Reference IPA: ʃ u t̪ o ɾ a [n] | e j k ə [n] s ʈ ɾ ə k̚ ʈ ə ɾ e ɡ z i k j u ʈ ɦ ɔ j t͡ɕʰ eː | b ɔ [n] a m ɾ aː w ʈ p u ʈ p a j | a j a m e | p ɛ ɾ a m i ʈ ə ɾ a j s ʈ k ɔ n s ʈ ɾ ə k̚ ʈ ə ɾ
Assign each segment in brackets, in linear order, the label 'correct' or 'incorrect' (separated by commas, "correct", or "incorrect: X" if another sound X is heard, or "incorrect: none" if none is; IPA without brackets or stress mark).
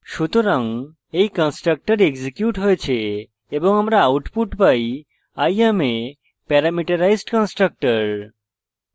incorrect: ŋ, correct, incorrect: ŋ